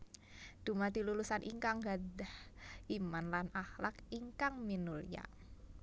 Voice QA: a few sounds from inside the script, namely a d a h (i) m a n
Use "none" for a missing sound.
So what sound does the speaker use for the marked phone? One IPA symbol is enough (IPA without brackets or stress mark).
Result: i